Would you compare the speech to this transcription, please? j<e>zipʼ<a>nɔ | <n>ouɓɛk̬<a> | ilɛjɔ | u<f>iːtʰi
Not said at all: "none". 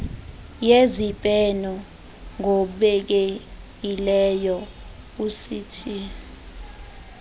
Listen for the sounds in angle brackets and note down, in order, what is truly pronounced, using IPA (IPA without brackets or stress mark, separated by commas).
e, ɛ, ŋ, e, s